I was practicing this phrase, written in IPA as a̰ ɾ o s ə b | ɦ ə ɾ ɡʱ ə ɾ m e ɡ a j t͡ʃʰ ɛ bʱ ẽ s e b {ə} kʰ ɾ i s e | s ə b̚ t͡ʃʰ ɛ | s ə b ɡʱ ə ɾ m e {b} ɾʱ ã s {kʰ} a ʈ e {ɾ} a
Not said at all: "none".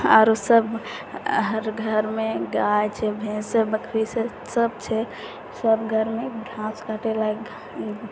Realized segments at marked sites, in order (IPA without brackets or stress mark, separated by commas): ə, b, k, l